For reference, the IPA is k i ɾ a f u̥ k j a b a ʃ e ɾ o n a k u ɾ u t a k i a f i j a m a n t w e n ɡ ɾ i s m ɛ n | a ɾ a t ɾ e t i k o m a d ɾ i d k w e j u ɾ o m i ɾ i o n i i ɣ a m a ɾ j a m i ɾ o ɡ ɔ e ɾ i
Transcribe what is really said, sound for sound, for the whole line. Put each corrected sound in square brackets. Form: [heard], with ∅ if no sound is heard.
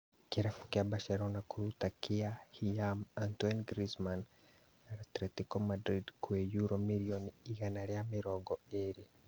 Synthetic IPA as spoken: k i ɾ a f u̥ k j a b a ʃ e ɾ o n a k u ɾ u t a k i a [h] i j a m a n t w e n ɡ ɾ i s m [a] n | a ɾ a t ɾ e t i k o m a d ɾ i d k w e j u ɾ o m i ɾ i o n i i ɣ a [n] a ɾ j a m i ɾ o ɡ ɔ e ɾ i